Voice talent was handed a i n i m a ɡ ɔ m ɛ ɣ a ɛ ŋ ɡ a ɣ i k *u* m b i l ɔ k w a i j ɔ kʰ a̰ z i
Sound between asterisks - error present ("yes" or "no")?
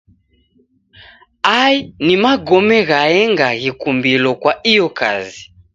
no